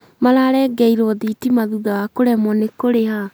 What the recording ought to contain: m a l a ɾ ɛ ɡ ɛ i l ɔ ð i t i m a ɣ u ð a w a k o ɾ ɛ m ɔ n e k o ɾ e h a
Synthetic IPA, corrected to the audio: m a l a ɾ ɛ ɡ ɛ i ɾ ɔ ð i t i m a ð u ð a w a k o ɾ ɛ m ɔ n e k o ɾ e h a